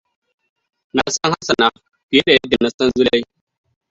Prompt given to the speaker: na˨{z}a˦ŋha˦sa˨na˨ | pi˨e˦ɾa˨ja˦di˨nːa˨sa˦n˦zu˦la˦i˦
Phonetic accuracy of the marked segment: incorrect: s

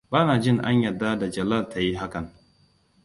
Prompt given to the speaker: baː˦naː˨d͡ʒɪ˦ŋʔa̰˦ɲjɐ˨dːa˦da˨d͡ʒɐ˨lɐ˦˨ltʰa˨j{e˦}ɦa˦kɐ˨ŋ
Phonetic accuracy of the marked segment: incorrect: i˦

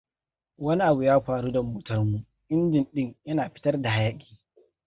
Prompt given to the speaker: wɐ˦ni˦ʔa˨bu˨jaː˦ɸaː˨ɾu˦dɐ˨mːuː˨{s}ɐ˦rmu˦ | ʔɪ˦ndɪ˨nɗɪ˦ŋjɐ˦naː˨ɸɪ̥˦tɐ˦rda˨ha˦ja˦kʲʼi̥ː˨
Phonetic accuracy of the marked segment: incorrect: t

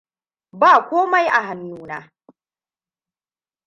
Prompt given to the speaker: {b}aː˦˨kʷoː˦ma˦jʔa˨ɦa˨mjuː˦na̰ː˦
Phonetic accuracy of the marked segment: correct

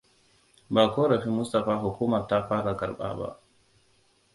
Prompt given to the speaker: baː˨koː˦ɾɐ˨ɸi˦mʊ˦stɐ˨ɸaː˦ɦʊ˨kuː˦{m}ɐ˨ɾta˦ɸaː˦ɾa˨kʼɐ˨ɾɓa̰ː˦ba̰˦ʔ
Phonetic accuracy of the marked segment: correct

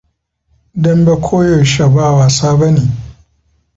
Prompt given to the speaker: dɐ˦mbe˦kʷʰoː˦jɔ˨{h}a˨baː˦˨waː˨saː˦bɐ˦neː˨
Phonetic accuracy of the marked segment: incorrect: ʃ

